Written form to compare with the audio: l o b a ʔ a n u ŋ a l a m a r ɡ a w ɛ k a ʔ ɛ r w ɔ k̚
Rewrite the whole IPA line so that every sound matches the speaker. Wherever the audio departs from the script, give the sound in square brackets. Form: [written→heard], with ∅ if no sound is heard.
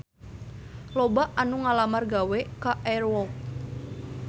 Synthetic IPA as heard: l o b a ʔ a n u ŋ a l a m a r ɡ a w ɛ k a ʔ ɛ r w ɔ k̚